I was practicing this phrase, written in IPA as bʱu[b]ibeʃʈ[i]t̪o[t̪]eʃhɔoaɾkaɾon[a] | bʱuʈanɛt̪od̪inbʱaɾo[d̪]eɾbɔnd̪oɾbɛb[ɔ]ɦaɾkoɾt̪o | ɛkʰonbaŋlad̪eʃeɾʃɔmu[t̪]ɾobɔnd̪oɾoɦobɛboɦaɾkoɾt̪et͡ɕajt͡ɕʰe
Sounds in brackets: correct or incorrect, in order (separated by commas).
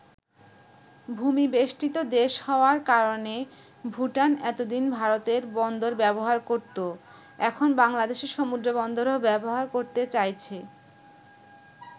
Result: incorrect, correct, incorrect, incorrect, incorrect, incorrect, incorrect